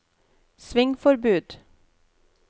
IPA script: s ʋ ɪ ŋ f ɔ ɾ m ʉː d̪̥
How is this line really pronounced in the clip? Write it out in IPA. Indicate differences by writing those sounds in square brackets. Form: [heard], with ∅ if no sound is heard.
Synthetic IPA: s ʋ ɪ ŋ f ɔ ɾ [b] ʉː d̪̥

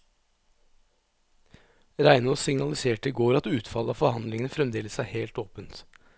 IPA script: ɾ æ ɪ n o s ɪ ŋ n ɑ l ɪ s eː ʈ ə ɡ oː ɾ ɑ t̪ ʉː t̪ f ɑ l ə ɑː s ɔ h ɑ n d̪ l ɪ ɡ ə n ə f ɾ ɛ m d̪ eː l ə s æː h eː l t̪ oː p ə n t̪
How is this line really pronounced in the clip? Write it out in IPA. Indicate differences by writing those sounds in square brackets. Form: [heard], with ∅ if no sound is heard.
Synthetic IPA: ɾ æ ɪ n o s ɪ ŋ n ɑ l ɪ s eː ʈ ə ɡ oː ɾ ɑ t̪ ʉː t̪ f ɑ l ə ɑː [f] ɔ h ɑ n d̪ l ɪ [ŋ] ə n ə f ɾ ɛ m d̪ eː l ə s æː h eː l t̪ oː p ə n t̪

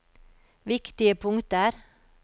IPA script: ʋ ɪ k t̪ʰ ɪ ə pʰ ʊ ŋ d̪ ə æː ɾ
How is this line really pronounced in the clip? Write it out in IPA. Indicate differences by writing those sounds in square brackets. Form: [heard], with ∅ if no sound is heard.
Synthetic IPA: ʋ ɪ k [t̪] ɪ ə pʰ ʊ ŋ [t̪] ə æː ɾ

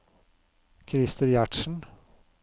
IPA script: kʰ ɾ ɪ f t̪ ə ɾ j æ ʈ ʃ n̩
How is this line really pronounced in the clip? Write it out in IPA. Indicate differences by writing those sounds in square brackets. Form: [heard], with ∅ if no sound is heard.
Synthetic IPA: kʰ ɾ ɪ [s] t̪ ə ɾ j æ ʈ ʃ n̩

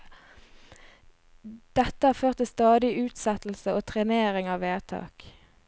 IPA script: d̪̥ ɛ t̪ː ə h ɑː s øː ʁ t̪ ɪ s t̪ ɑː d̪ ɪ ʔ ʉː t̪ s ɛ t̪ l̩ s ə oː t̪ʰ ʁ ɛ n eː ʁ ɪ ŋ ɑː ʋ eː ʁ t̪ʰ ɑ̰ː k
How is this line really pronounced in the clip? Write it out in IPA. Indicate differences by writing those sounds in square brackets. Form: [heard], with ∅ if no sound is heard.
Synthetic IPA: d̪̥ ɛ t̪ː ə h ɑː [f] øː ʁ t̪ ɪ s t̪ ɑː d̪ ɪ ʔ ʉː t̪ s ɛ t̪ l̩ s ə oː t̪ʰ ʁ ɛ n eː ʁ ɪ ŋ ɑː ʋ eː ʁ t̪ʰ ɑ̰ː k

